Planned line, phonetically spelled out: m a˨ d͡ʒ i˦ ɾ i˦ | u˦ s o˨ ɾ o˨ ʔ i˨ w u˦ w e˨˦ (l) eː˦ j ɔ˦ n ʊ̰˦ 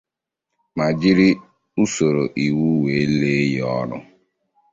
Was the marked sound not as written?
no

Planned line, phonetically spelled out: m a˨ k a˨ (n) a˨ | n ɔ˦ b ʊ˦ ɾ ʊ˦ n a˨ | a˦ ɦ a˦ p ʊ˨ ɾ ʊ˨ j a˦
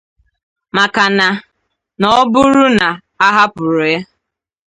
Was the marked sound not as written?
no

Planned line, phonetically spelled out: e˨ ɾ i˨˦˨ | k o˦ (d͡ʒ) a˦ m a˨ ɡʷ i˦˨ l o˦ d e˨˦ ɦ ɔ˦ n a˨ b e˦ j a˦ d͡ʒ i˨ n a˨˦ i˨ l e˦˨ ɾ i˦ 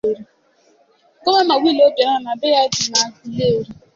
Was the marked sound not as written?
yes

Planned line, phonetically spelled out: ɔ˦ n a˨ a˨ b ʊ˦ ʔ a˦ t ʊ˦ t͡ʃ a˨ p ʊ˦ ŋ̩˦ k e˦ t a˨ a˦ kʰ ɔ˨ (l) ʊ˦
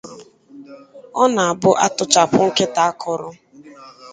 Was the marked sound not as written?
yes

